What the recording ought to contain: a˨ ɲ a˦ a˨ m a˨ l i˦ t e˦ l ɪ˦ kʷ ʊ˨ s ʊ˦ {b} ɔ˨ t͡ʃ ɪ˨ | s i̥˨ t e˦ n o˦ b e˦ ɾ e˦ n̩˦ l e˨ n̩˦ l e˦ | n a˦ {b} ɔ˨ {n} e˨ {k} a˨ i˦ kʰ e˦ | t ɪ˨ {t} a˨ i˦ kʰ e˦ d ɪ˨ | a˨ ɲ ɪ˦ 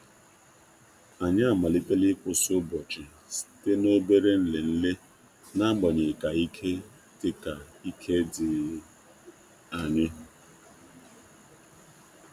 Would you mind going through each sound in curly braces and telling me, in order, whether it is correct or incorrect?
correct, incorrect: ɡ͡b, incorrect: ɲ, correct, incorrect: k

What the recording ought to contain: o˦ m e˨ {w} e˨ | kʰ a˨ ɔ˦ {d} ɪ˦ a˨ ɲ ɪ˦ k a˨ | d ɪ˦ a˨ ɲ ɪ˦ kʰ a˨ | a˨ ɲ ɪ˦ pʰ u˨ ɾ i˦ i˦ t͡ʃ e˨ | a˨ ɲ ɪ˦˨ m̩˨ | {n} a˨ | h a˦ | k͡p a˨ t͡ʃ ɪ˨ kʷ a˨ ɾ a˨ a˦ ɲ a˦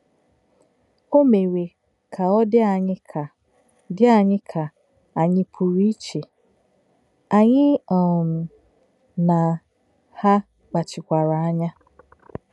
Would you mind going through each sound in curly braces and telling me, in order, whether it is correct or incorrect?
correct, correct, correct

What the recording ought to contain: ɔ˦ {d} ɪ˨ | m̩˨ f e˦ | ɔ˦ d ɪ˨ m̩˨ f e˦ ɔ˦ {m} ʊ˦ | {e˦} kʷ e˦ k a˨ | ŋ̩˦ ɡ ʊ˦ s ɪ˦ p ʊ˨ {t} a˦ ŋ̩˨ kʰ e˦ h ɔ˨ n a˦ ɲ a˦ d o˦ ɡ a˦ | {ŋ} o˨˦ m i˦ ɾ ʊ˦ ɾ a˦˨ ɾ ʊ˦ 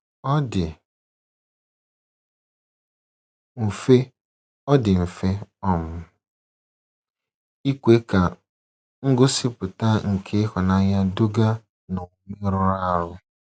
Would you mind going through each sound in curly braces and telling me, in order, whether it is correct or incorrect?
correct, correct, incorrect: i˦, correct, incorrect: n

